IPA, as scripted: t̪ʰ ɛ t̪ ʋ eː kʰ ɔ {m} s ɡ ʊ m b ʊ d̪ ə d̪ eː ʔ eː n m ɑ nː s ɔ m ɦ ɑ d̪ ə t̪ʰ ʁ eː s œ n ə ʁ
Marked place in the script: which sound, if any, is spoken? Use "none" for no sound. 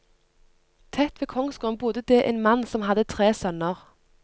ŋ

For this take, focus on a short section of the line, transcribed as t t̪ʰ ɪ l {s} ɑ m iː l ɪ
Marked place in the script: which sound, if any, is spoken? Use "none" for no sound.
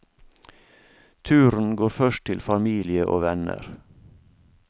f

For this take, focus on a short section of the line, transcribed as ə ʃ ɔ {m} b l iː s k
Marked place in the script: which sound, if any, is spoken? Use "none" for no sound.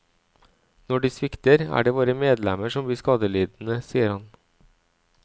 m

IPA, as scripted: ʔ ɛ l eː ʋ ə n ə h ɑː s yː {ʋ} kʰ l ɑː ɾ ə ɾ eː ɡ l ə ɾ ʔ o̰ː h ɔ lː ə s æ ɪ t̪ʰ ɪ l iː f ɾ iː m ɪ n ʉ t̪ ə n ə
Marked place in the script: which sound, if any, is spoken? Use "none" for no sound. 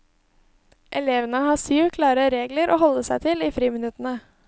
ʋ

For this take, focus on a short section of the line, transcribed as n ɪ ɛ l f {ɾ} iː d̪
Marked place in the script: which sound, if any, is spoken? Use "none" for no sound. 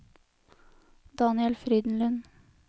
ɾ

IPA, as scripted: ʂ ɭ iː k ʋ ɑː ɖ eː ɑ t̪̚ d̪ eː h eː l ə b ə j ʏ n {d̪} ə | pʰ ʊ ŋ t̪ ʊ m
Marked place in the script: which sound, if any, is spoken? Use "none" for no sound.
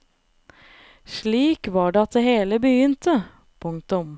t̪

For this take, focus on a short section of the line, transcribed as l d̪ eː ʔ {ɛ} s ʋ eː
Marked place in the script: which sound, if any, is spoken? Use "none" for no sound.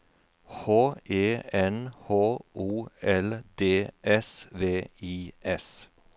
ɛ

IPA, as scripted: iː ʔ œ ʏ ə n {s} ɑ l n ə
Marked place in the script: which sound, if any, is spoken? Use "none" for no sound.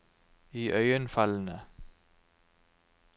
f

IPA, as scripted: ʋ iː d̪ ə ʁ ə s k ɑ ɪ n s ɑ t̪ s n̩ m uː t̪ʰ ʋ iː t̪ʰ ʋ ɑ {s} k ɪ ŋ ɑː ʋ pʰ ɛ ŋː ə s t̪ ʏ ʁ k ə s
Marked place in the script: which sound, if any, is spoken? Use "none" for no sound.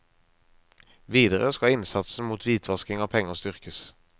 s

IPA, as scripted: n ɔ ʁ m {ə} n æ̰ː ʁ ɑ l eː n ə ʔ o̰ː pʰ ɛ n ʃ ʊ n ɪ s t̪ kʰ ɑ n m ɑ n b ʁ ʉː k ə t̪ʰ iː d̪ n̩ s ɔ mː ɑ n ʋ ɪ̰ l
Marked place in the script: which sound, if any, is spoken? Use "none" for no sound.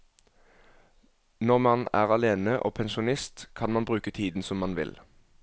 ɑ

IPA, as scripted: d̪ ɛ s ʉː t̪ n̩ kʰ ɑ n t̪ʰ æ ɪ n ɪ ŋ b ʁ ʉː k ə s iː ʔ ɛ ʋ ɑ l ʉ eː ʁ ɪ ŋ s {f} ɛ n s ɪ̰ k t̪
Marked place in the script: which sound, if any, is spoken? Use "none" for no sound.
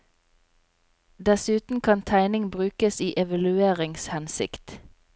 h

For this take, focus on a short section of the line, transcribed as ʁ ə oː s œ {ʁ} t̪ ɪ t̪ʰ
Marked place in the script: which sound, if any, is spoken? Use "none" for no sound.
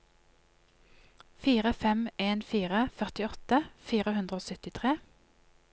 none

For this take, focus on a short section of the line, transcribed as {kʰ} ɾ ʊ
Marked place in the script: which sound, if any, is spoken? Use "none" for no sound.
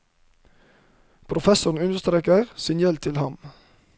pʰ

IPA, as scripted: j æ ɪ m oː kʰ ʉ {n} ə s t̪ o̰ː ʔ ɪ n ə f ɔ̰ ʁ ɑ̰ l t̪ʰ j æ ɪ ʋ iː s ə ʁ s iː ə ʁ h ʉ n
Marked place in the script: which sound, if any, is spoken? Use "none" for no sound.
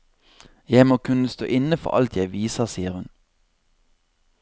n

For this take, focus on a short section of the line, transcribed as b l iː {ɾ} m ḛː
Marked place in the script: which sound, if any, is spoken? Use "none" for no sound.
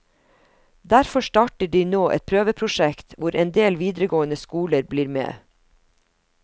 ɾ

